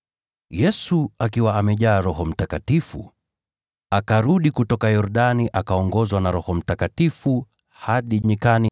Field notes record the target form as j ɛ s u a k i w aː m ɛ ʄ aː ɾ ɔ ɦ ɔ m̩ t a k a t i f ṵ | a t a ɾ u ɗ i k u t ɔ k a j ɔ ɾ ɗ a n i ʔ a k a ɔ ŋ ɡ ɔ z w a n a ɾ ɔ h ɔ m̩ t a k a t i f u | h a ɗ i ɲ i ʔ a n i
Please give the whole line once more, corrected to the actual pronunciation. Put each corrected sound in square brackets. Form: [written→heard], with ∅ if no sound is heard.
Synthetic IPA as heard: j ɛ s u a k i w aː m ɛ ʄ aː ɾ ɔ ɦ ɔ m̩ t a k a t i f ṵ | a [t→k] a ɾ u ɗ i k u t ɔ k a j ɔ ɾ ɗ a n i ʔ a k a ɔ ŋ ɡ ɔ z w a n a ɾ ɔ h ɔ m̩ t a k a t i f u | h a ɗ i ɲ i [ʔ→k] a n i